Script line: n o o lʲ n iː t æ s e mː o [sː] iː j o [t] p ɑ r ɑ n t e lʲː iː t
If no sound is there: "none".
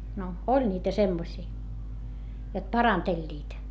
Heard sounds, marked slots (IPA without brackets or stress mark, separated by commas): s, t